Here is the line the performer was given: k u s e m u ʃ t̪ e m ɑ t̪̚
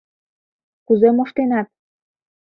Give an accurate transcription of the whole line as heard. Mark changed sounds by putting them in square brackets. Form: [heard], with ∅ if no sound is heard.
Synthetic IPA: k u [z] e m [o] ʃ t̪ e [n] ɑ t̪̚